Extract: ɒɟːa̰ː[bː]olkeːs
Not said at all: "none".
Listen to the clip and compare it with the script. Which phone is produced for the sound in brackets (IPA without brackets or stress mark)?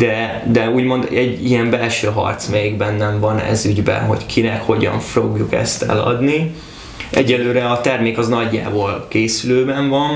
b